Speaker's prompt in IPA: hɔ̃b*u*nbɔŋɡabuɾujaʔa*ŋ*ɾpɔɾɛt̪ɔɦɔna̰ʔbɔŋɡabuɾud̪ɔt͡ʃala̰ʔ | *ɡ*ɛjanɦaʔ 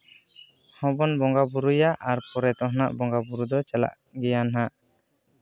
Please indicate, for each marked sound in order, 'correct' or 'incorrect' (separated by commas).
incorrect, incorrect, correct